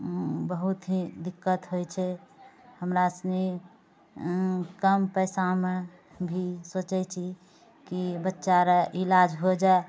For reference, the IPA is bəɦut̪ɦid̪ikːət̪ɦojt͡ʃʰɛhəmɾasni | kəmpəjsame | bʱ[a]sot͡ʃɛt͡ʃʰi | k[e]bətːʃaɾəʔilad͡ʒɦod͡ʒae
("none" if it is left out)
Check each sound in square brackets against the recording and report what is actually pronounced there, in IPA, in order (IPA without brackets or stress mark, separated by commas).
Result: i, i